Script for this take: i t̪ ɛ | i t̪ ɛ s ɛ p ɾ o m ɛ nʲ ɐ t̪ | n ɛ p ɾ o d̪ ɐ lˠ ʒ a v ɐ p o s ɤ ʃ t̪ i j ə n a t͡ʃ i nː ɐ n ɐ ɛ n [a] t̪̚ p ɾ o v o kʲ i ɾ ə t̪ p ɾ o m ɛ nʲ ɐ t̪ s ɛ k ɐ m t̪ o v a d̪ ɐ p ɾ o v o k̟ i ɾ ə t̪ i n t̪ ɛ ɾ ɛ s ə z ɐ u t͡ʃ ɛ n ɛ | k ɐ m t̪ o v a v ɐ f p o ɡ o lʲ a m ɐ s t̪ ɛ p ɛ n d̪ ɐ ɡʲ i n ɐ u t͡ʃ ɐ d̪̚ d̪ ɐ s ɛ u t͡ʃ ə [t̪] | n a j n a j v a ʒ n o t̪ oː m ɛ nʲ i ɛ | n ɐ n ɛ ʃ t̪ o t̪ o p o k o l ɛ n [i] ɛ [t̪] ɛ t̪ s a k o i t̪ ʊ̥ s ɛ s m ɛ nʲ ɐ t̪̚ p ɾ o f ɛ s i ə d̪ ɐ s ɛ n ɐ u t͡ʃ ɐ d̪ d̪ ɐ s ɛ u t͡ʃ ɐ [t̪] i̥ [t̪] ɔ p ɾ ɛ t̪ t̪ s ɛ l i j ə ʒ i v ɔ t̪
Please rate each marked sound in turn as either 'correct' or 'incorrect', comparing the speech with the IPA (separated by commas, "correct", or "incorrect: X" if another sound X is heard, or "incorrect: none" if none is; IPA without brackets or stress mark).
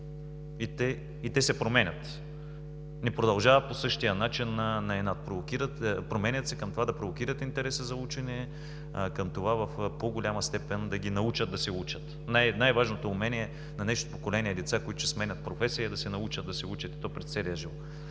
correct, correct, correct, incorrect: d̪, correct, correct